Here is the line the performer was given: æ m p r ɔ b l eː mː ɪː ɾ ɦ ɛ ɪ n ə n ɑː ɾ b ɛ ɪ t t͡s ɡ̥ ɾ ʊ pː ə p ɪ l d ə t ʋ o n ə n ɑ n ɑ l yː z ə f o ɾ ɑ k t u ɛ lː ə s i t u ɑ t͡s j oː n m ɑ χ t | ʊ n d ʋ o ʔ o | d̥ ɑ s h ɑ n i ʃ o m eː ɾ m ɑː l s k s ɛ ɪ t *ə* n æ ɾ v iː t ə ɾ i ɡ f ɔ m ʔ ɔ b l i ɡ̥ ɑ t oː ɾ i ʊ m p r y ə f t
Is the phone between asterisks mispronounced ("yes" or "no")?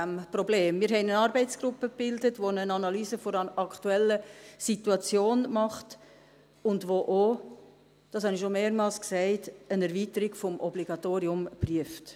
no